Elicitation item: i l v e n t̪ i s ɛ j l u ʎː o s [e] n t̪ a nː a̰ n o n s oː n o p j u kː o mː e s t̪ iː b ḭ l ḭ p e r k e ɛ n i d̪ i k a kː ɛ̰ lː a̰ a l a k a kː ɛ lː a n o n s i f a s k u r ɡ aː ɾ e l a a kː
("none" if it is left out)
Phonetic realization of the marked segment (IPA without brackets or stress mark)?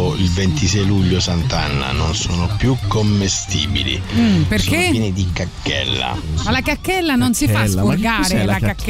a